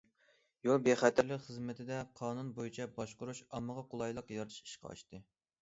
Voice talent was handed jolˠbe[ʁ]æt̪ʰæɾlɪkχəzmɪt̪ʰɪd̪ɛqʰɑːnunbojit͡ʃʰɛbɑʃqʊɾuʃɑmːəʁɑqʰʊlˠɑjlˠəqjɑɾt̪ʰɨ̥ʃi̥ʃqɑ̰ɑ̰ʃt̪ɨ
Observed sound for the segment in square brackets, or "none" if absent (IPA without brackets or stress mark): χ